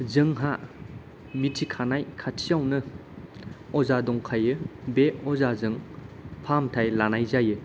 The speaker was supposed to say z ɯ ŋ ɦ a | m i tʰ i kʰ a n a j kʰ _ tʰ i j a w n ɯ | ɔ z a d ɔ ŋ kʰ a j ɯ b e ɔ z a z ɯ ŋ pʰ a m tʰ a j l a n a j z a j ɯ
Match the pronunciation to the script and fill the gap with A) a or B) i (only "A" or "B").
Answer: A